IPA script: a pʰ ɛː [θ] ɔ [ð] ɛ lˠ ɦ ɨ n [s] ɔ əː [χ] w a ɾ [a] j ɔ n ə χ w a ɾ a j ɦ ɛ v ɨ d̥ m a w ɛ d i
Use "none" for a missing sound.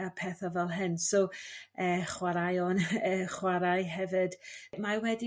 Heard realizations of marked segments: θ, v, s, χ, a

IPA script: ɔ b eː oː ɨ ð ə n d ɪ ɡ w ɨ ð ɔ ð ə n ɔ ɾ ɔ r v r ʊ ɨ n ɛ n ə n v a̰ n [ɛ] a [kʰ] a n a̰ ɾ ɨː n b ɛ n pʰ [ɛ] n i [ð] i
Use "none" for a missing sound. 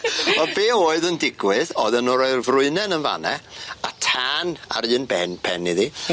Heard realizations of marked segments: ɛ, tʰ, ɛ, ð

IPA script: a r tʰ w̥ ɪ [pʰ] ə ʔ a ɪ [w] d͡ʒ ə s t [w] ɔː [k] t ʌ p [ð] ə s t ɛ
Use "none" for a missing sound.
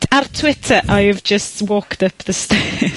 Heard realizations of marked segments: tʰ, v, w, k, ð

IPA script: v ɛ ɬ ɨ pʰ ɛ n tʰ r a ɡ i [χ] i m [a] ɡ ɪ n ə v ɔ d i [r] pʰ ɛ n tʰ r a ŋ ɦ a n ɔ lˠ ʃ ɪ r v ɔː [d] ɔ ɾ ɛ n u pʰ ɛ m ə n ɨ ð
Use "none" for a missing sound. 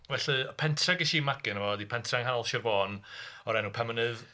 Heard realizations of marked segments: ʃ, a, none, n

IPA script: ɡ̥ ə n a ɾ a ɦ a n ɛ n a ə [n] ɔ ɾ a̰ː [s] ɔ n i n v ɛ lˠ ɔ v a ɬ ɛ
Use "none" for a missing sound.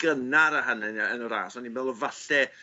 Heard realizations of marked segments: n, s

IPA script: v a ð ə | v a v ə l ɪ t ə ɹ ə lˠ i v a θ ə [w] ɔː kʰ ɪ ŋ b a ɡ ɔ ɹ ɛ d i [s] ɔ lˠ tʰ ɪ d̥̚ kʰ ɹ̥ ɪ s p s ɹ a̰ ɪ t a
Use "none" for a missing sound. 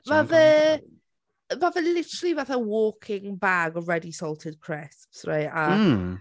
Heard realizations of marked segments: w, s

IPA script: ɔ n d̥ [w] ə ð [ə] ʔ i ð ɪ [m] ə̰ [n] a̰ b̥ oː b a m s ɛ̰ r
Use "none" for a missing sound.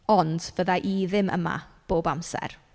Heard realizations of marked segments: v, a, m, m

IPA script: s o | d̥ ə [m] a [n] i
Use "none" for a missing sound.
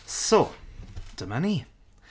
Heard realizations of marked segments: m, n

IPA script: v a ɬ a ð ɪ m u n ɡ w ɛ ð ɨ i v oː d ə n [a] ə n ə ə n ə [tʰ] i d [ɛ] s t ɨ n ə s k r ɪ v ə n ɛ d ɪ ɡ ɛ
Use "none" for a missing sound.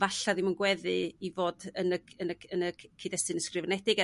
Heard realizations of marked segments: ə, kʰ, ɛ

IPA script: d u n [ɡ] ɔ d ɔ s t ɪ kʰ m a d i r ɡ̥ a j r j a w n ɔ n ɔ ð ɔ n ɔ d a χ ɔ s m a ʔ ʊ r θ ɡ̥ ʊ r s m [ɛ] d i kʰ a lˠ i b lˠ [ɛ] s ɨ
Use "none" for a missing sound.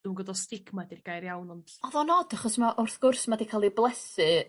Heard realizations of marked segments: ɡ, a, ɛ

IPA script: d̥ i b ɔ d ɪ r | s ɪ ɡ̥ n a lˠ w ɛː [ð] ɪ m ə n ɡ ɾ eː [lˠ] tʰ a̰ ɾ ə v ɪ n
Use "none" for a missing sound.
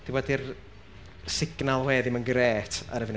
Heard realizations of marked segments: ð, none

